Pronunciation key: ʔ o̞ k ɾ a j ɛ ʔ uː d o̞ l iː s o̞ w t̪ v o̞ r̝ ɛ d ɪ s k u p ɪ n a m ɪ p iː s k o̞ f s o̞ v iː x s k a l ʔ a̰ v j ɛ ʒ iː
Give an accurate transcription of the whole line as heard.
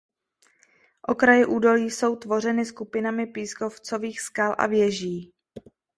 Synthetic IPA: ʔ o̞ k ɾ a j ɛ ʔ uː d o̞ l iː s o̞ w t̪ v o̞ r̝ ɛ n ɪ s k u p ɪ n a m ɪ p iː s k o̞ f t͡s o̞ v iː x s k a l ʔ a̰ v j ɛ ʒ iː